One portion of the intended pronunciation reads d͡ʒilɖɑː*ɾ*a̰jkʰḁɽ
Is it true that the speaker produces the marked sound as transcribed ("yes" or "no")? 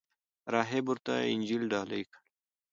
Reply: no